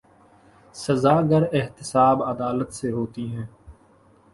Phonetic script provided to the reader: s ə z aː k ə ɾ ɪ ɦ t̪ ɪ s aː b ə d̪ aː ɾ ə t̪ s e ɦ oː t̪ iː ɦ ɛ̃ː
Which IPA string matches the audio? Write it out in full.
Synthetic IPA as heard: s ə z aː ɡ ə ɾ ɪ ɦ t̪ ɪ s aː b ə d̪ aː l ə t̪ s e ɦ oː t̪ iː ɦ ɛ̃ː

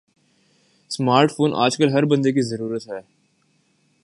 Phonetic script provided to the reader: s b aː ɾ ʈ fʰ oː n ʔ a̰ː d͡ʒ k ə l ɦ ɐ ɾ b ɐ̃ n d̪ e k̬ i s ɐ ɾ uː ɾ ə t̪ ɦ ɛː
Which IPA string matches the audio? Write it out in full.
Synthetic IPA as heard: s m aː ɾ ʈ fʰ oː n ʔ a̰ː d͡ʒ k ə l ɦ ɐ ɾ b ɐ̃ n d̪ e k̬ i z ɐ ɾ uː ɾ ə t̪ ɦ ɛː

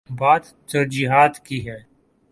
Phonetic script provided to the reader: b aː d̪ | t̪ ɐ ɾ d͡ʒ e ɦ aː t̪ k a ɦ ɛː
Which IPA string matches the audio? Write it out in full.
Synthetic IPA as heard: b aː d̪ | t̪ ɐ ɾ d͡ʒ i ɦ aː t̪ k i ɦ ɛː

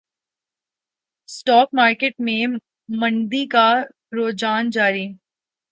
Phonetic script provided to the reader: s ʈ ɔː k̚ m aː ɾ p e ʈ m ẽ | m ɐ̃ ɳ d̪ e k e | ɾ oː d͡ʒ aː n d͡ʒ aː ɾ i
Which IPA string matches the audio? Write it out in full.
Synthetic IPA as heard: s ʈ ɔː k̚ m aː ɾ k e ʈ m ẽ | m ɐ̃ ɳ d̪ i k a | ɾ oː d͡ʒ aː n d͡ʒ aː ɾ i

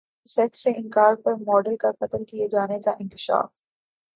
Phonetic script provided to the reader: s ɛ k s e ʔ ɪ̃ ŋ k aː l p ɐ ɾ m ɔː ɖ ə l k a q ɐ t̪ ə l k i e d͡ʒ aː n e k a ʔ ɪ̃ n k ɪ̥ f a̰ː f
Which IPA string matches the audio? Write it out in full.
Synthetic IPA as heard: s ɛ k s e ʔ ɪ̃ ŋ k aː ɾ p ɐ ɾ m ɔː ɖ ə l k a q ɐ t̪ ə l k i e d͡ʒ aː n e k a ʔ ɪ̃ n k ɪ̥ ʃ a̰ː f

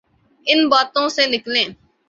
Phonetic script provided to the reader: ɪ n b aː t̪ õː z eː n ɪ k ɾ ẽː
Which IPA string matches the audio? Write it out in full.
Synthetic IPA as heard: ɪ n b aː t̪ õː s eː n ɪ k l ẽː

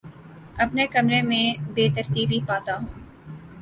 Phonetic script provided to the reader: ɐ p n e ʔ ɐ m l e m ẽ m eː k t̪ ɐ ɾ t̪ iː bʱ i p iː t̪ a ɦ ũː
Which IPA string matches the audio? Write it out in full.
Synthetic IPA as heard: ɐ p n e k ɐ m ɾ e m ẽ b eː t̪ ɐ ɾ t̪ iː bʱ i p aː t̪ a ɦ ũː

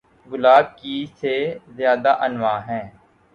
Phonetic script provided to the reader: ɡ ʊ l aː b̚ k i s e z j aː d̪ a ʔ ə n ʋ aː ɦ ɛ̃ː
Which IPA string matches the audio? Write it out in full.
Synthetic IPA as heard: ɡ ʊ l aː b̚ k i s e z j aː d̪ a ʔ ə n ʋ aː ɦ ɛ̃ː

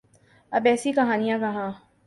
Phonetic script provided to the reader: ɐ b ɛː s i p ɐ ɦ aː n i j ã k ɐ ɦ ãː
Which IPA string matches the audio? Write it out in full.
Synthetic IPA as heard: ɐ b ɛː s i k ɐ ɦ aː n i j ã k ɐ ɦ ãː

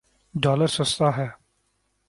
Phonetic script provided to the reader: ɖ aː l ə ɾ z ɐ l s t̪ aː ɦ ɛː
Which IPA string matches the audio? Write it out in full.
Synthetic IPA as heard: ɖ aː l ə ɾ s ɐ s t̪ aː ɦ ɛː

